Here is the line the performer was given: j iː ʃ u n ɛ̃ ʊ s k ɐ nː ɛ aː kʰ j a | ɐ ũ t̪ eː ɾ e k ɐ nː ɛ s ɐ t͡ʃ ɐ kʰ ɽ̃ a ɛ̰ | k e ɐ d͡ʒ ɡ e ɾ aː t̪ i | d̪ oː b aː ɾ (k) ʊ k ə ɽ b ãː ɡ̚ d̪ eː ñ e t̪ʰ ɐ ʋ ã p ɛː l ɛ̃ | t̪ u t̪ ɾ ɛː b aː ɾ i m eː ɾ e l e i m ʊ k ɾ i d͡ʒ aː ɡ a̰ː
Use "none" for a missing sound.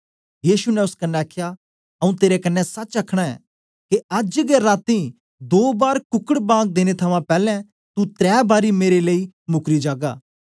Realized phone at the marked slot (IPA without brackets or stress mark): k